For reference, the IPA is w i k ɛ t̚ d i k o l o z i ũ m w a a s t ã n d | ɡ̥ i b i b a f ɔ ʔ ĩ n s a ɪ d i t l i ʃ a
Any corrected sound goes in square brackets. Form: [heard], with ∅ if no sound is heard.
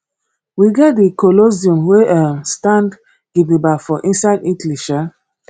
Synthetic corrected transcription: w i [ɡ] ɛ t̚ d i k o l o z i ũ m w [e] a s t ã n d | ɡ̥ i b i b a f ɔ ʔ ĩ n s a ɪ d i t l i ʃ a